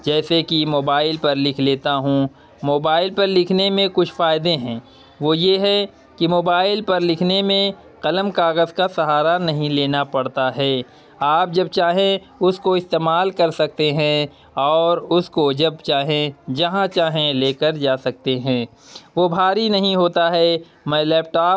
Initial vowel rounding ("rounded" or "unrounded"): unrounded